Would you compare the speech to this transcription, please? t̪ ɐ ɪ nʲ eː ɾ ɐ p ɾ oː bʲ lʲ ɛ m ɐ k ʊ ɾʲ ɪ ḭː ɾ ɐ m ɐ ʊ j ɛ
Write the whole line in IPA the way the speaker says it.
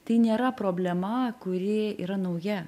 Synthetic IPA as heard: t̪ ɐ ɪ nʲ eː ɾ ɐ p ɾ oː bʲ lʲ ɛ m ɐ k ʊ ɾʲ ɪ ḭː ɾ ɐ n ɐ ʊ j ɛ